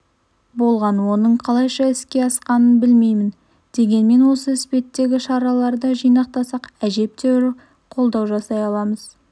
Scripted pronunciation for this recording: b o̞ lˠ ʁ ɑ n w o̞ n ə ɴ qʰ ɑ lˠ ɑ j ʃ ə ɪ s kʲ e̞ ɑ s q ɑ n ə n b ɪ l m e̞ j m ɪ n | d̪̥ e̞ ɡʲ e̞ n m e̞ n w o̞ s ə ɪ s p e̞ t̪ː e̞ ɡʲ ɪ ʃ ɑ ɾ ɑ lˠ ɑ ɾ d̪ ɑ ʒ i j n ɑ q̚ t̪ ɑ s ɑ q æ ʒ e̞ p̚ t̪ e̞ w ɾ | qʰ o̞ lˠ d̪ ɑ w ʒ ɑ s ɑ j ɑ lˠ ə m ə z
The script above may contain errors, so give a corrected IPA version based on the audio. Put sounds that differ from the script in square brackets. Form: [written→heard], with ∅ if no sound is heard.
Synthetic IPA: b o̞ lˠ ʁ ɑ n w o̞ n ə ɴ qʰ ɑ lˠ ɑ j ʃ [ə→ɑ] ɪ s kʲ e̞ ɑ s q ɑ n ə n b ɪ l m e̞ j m ɪ n | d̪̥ e̞ ɡʲ e̞ n m e̞ n w o̞ s ə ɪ s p e̞ t̪ː e̞ ɡʲ ɪ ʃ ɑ ɾ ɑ lˠ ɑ ɾ d̪ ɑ ʒ i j n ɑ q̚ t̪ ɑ s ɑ q æ ʒ e̞ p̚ t̪ e̞ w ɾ | qʰ o̞ lˠ d̪ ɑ w ʒ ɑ s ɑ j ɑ lˠ [ə→ɑ] m ə z